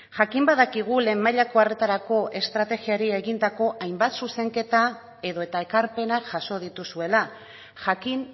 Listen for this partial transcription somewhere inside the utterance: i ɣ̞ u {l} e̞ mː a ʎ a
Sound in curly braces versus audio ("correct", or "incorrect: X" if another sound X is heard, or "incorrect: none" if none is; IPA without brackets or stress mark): correct